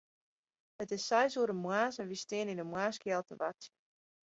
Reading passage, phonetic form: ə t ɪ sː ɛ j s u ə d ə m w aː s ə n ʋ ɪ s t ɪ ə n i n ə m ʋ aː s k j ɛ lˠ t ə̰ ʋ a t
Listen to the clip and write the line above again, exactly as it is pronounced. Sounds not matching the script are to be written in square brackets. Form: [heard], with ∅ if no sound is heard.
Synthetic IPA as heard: ə t ɪ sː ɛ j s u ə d ə m w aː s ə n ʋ [i] s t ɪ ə n i n ə m [w] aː s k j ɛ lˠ t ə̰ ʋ a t